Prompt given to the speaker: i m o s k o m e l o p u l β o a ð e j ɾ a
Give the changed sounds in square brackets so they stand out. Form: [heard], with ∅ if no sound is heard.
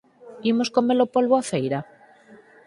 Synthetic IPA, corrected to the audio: i m o s k o m e l o p [o] l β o a [θ] e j ɾ a